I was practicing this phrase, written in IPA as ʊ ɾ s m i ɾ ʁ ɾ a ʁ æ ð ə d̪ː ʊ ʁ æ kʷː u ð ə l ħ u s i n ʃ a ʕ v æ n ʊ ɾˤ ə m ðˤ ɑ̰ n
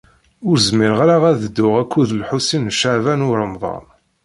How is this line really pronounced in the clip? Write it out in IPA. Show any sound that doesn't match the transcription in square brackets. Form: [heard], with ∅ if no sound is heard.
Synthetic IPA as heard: ʊ ɾ [z] m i ɾ ʁ ɾ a ʁ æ ð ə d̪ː ʊ ʁ æ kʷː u ð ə l ħ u s i n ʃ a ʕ v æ n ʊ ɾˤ ə m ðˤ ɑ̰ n